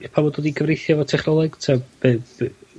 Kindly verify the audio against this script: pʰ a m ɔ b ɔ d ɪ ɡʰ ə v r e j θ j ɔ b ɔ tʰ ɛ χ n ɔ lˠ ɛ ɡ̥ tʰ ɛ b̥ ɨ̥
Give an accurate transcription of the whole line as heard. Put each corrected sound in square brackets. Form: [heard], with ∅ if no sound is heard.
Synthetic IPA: pʰ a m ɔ [d] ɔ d [i] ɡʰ ə v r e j θ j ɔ [v] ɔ tʰ ɛ χ n ɔ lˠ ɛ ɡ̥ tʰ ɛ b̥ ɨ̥